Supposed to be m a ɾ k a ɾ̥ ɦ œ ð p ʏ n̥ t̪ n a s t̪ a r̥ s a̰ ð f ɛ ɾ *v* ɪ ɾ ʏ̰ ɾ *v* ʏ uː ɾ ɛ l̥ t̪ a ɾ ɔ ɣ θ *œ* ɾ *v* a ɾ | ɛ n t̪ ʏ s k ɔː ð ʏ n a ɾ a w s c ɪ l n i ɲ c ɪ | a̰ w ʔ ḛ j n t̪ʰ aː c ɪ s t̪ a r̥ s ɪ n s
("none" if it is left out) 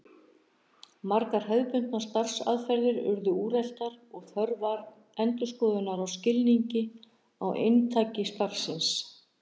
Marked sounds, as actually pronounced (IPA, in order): ð, ð, œ, v

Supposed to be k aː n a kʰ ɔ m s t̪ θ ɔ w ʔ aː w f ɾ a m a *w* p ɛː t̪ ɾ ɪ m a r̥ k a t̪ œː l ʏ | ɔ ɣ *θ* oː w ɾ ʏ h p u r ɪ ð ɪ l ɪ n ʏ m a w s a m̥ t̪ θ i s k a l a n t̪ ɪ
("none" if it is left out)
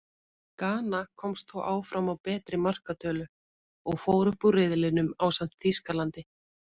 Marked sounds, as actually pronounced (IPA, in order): w, f

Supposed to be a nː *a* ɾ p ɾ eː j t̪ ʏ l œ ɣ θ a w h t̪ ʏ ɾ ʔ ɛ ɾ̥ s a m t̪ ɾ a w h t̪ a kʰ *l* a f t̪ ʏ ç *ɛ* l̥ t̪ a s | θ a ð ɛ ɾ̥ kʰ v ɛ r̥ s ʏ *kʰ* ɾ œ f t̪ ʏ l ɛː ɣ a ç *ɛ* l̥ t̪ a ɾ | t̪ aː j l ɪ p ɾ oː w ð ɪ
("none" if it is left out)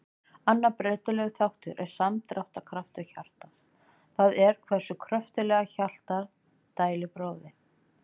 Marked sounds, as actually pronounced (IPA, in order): a, ɾ, a, kʰ, a

